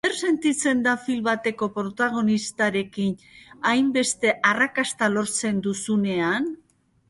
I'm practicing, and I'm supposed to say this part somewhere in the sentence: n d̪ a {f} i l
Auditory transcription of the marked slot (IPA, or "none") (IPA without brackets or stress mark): f